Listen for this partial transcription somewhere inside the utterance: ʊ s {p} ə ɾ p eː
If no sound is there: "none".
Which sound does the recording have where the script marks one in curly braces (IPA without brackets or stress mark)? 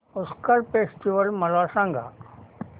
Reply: k